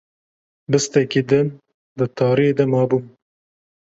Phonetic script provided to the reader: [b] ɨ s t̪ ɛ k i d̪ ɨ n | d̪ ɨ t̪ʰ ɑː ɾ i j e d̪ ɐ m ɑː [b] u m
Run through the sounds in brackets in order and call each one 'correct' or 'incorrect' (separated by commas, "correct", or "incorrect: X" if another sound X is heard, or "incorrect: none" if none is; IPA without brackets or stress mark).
correct, correct